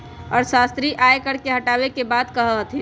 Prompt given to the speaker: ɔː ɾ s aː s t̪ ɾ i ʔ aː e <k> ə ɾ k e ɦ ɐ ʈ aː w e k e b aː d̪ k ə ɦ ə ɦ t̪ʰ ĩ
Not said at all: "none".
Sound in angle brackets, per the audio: k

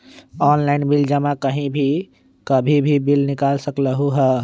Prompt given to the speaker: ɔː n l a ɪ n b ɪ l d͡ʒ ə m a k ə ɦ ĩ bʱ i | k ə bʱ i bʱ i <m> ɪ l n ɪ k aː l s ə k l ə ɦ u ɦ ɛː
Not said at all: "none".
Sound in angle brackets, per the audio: b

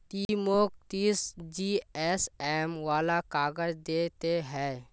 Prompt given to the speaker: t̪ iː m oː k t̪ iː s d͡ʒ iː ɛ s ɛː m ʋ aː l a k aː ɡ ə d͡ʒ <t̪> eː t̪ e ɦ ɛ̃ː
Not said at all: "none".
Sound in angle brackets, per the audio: d̪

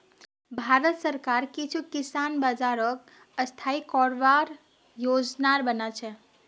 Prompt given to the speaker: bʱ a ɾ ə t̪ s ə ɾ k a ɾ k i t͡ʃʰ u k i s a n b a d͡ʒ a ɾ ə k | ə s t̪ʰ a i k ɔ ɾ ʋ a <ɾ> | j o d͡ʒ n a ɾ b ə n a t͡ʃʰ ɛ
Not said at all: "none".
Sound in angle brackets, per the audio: ɾ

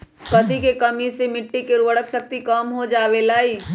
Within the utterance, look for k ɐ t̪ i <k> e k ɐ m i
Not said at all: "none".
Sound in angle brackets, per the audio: k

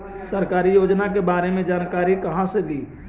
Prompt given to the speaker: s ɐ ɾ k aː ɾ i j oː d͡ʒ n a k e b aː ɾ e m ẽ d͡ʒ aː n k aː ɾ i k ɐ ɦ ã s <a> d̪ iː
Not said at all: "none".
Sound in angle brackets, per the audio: e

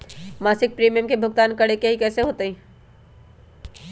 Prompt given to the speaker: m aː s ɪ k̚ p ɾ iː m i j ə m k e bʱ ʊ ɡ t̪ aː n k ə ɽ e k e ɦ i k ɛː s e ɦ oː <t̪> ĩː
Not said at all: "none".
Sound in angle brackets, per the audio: t̪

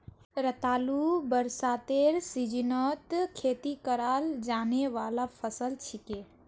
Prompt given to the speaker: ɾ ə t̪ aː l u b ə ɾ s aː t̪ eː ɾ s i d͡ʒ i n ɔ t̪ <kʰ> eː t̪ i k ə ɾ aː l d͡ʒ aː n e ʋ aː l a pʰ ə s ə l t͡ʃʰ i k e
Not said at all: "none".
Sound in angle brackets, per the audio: kʰ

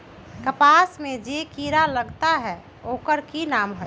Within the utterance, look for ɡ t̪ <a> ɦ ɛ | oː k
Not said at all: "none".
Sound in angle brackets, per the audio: a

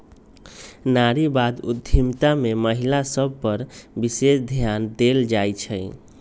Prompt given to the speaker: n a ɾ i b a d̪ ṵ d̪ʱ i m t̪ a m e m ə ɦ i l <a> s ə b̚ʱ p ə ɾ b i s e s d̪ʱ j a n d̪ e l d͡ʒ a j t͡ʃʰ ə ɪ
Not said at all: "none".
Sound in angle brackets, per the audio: a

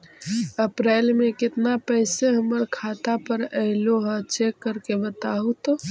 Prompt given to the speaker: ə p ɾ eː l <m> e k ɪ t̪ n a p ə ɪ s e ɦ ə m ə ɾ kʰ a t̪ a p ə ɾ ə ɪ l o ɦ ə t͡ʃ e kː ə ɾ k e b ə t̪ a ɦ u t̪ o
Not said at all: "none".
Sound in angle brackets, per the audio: m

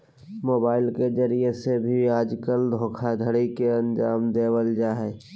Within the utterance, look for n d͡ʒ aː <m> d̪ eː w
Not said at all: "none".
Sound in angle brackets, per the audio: m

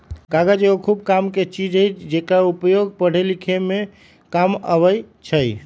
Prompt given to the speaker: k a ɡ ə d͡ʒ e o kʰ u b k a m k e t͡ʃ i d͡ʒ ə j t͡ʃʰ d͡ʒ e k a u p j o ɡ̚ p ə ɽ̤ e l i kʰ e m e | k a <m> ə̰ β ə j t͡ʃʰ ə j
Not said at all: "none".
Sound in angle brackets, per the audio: m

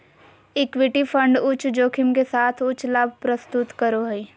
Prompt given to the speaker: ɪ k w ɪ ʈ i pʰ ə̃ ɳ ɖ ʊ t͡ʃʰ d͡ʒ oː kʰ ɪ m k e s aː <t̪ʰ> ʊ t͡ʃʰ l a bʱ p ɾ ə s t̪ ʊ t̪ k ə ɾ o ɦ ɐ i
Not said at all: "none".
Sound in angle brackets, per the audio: t̪ʰ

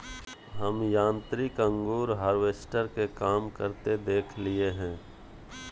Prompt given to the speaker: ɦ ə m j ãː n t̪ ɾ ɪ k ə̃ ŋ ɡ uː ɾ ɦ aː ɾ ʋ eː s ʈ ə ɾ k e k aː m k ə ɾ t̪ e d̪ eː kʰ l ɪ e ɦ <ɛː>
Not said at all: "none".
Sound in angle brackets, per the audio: ɛ̃ː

